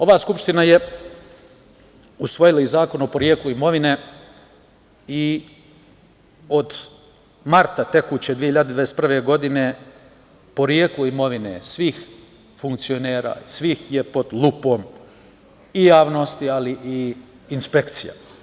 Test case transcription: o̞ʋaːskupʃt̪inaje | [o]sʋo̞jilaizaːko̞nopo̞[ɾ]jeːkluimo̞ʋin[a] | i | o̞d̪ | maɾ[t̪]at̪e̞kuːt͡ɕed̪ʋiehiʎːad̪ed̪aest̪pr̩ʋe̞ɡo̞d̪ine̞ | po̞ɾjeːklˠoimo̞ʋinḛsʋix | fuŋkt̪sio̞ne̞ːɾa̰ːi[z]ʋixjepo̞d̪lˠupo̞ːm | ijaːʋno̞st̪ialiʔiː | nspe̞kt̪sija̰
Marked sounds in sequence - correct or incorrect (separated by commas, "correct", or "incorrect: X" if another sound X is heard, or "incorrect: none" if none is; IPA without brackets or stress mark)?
incorrect: u, correct, incorrect: e, correct, incorrect: s